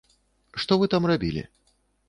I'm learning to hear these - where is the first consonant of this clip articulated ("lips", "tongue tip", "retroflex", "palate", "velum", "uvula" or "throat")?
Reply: retroflex